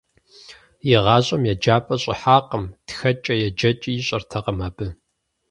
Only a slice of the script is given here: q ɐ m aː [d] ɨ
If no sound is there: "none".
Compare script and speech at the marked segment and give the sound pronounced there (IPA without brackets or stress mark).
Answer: b